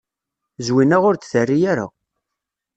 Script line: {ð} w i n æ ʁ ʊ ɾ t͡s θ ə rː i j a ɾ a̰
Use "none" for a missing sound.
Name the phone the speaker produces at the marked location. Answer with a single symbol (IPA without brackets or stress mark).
z